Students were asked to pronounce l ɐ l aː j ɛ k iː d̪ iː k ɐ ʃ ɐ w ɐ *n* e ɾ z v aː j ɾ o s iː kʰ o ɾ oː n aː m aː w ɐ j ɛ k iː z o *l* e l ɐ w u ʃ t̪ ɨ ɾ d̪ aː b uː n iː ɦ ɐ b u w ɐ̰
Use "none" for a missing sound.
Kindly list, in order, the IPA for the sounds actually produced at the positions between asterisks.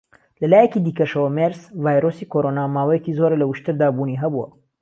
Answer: m, ɾ

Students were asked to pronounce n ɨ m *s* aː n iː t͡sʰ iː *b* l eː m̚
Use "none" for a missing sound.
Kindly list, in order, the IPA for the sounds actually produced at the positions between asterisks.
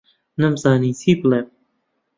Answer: z, b

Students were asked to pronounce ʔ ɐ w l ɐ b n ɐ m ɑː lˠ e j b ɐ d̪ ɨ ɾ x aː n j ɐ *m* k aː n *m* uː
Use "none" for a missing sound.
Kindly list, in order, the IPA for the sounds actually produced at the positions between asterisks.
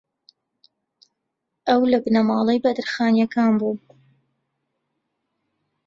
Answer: none, b

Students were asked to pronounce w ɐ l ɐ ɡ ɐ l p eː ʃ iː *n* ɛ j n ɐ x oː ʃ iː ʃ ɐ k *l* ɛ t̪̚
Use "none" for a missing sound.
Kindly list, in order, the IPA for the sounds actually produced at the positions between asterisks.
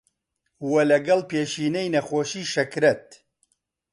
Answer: n, ɾ

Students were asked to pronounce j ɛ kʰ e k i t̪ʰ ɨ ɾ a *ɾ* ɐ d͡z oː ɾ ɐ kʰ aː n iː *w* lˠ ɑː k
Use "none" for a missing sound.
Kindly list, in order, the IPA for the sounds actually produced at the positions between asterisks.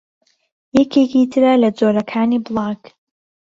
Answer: l, b

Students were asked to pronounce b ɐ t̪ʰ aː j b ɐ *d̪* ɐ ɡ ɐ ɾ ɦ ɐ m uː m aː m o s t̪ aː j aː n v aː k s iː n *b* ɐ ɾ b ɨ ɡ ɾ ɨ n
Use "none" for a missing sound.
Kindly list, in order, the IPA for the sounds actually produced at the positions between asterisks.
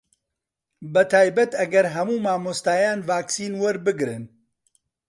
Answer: t̪, w

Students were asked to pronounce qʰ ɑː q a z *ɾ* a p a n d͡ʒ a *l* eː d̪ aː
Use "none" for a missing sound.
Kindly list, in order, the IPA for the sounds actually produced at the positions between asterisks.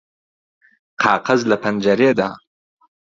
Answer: l, ɾ

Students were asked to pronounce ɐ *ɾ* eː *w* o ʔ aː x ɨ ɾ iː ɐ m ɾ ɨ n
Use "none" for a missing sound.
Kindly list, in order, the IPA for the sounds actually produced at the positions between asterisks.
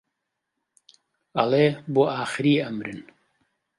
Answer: l, b

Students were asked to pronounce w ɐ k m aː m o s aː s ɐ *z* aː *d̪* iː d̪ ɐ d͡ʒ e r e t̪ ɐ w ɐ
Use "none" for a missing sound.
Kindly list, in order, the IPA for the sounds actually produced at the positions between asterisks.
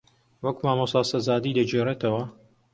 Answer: z, d̪

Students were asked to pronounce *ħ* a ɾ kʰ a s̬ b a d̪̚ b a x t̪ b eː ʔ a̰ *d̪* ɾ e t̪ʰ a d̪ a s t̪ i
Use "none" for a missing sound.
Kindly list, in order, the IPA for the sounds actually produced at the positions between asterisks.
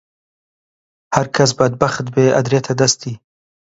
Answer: h, d̪

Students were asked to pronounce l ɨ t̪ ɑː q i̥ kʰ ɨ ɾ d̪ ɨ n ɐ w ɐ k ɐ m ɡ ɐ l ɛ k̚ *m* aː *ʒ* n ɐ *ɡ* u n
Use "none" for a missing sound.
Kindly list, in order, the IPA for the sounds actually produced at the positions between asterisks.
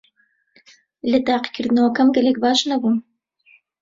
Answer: b, ʃ, b

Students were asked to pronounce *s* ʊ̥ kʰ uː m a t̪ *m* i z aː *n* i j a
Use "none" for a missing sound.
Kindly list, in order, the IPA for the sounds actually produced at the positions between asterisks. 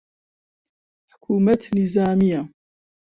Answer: ħ, n, m

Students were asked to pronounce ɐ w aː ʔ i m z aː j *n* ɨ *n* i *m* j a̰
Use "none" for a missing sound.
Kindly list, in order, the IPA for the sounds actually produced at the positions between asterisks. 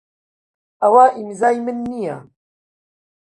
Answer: m, nː, none

